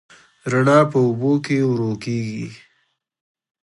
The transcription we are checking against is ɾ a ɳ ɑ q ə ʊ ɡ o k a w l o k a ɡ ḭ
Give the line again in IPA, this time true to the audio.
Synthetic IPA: ɾ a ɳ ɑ p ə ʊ b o k e w ɾ o k e ɡ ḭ